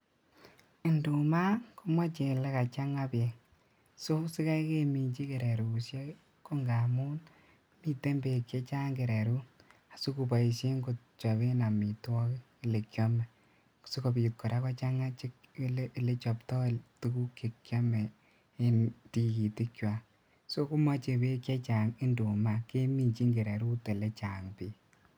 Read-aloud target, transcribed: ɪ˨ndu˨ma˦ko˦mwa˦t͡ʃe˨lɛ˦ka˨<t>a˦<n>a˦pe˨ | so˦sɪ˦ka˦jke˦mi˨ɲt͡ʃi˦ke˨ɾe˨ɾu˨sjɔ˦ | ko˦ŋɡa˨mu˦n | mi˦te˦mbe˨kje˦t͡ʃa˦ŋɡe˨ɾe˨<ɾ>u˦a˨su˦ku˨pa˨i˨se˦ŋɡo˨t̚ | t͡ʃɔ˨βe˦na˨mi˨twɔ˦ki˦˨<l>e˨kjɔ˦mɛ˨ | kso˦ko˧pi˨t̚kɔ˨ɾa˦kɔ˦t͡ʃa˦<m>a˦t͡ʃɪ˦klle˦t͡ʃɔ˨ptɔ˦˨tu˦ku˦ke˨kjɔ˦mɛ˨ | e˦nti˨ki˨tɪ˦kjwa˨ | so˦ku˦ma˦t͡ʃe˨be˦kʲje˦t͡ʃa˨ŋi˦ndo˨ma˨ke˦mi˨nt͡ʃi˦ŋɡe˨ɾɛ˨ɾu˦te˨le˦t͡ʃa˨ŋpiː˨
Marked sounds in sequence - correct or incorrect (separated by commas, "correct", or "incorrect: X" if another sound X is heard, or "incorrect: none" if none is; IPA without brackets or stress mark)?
incorrect: t͡ʃ, incorrect: ŋ, correct, correct, incorrect: ŋ